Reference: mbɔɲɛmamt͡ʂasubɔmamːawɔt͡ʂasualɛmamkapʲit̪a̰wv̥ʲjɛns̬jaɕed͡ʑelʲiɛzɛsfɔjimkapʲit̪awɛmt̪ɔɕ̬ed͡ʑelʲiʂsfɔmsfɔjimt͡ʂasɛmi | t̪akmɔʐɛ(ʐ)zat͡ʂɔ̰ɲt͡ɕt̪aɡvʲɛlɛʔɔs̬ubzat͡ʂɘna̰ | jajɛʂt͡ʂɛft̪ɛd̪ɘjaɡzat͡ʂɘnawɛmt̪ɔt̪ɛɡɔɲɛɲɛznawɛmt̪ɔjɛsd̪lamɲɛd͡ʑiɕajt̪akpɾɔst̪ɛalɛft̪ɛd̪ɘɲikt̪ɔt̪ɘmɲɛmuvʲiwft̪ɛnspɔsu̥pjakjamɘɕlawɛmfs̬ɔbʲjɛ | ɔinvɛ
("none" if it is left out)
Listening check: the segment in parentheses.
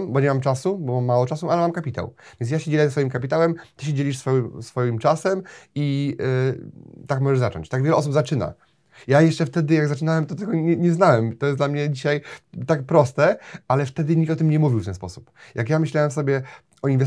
ʐ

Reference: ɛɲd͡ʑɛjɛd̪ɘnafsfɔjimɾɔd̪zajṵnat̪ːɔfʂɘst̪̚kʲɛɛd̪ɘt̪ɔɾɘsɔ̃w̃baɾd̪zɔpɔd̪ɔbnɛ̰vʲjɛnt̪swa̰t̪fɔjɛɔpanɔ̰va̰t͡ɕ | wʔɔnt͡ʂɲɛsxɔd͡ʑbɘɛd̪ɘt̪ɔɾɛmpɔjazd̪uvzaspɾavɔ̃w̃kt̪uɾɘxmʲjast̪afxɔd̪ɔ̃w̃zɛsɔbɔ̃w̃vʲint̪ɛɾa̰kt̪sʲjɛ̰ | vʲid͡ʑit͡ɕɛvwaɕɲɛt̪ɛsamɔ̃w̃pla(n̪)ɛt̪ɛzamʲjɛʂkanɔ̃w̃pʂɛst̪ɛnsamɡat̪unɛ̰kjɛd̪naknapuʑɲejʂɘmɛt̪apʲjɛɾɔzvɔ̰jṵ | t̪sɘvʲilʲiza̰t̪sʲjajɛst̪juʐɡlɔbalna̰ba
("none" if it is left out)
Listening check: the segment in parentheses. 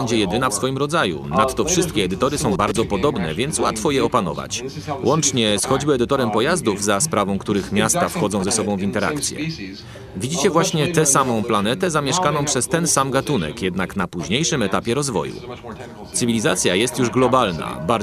n̪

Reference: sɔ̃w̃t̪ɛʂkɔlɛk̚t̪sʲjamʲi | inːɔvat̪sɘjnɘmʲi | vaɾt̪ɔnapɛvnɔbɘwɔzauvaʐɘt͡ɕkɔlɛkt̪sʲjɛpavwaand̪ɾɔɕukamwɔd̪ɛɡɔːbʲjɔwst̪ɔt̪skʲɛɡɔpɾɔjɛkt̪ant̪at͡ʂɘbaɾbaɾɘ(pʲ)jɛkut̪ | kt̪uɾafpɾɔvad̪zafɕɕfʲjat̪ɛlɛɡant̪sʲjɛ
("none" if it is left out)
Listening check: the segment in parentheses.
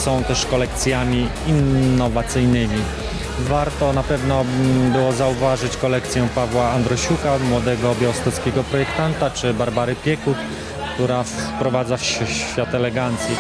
pʲ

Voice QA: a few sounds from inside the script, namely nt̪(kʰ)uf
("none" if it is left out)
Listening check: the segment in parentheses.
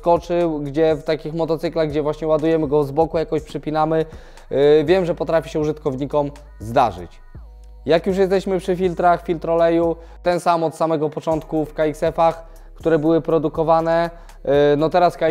k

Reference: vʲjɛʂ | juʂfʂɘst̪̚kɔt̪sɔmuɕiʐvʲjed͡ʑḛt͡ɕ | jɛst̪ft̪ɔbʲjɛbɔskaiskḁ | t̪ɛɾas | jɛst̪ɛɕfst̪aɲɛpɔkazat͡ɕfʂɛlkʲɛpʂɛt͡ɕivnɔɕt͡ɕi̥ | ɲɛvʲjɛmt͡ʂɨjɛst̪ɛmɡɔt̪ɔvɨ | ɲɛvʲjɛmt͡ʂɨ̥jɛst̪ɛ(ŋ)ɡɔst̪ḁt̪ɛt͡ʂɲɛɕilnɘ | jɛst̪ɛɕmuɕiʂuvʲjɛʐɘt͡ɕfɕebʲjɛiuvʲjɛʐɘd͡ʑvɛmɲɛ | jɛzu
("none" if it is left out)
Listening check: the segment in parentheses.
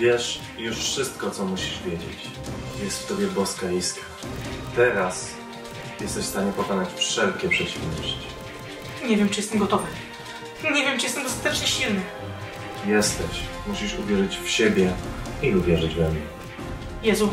m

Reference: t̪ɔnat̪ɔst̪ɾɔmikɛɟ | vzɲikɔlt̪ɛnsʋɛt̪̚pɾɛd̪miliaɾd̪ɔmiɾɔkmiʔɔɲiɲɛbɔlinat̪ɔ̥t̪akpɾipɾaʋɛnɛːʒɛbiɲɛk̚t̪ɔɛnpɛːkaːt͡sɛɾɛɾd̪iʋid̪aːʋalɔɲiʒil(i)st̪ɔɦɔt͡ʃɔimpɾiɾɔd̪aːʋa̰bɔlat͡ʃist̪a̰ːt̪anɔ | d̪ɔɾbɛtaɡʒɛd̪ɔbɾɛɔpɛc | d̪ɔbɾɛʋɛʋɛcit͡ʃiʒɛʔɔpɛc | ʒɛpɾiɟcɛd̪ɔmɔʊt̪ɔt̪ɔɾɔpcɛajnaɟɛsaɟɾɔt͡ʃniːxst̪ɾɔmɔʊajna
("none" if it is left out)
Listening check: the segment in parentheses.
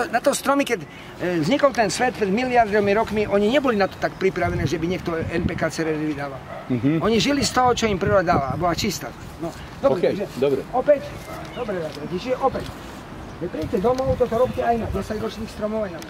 i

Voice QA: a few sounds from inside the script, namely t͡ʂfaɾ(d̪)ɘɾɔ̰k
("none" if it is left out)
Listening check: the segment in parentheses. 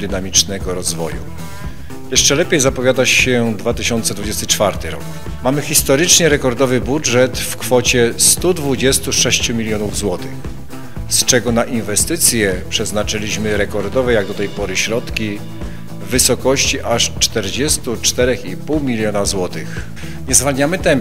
t̪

